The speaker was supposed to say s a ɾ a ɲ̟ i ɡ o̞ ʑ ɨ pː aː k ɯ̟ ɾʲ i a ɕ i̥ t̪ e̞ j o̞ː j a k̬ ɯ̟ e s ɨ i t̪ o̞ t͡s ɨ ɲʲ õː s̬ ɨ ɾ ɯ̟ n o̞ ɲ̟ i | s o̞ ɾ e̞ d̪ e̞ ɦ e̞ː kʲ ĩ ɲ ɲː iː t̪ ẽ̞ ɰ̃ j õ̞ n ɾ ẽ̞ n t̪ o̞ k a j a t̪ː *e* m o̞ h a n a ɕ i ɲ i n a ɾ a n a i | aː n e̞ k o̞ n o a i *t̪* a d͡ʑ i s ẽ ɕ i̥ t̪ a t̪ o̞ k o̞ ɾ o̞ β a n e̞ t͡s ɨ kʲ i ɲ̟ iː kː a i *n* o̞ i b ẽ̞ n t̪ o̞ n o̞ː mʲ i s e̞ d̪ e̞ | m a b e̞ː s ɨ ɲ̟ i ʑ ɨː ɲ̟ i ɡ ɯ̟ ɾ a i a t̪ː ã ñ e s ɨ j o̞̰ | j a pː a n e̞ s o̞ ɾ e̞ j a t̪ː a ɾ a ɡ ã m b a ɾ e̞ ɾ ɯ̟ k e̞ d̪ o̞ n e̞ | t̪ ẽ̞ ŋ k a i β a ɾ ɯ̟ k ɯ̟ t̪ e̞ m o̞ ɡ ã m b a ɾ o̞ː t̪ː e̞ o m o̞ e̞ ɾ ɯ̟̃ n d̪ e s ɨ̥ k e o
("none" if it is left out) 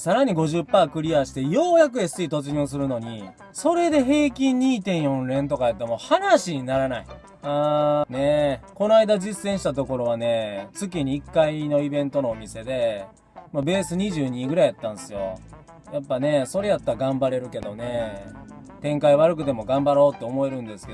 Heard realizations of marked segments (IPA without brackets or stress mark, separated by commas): e, d̪, n